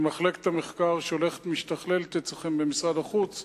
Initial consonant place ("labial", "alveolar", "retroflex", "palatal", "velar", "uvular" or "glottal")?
labial